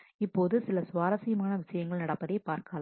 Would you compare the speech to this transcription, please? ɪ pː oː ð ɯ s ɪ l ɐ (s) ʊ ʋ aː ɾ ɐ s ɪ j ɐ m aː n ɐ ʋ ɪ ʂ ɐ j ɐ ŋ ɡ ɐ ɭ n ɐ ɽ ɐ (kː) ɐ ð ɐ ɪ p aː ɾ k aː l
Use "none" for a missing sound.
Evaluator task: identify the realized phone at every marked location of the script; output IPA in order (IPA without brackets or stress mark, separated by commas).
s, pː